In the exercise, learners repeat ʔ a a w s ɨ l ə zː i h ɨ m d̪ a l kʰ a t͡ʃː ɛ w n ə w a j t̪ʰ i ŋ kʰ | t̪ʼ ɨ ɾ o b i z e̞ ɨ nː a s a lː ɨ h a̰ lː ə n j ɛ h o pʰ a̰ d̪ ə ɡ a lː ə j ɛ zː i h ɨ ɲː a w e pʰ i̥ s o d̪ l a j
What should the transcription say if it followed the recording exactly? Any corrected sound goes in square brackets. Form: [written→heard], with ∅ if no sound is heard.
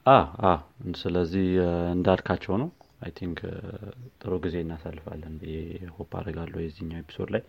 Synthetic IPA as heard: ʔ a a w s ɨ l ə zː i h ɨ [m→n] d̪ a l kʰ a t͡ʃː ɛ w n ə w a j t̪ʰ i ŋ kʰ | t̪ʼ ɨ ɾ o [b→ɡ] i z e̞ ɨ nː a s a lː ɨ [h→f] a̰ lː ə n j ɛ h o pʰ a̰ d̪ ə ɡ a lː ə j ɛ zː i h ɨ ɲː a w e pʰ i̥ s o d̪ l a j